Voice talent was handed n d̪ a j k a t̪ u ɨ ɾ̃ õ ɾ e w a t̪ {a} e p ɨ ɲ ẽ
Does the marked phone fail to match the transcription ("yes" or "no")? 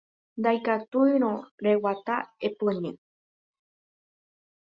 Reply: no